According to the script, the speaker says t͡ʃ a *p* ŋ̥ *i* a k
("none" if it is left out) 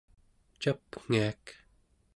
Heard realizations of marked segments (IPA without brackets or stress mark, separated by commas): p, i